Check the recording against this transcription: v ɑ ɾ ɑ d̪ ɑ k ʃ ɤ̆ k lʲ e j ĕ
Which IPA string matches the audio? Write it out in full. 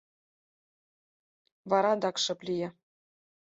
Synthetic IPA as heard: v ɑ ɾ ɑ d̪ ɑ k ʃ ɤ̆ p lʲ i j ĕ